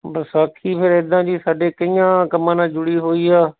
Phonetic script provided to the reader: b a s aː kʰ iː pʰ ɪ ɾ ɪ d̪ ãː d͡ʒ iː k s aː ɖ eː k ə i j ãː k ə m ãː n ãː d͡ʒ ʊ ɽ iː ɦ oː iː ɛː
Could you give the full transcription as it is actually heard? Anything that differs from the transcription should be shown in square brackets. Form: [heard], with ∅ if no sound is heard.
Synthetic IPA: b [ə] s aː kʰ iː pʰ ɪ ɾ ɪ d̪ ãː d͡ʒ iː [∅] s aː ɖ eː k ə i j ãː k ə m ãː n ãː d͡ʒ ʊ ɽ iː ɦ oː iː [aː]